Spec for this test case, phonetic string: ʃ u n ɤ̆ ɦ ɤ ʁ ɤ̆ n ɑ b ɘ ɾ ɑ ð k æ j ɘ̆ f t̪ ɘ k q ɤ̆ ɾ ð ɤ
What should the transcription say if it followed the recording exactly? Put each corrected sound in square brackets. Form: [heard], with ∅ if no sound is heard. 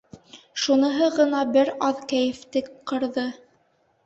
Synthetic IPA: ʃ u n ɤ̆ ɦ ɤ ʁ ɤ̆ n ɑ b ɘ ɾ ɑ ð k æ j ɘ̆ f t̪ ɘ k q ɤ̆ ɾ ð ɤ

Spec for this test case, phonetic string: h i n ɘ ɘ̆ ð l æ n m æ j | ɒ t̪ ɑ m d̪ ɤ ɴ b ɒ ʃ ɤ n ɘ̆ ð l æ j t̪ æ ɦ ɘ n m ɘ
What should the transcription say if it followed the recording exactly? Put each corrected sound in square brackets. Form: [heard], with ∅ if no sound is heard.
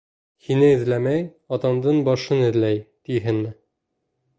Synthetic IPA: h i n ɘ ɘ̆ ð l æ [∅] m æ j | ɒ t̪ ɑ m d̪ ɤ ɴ b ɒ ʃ ɤ n ɘ̆ ð l æ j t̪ [i] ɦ ɘ n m ɘ

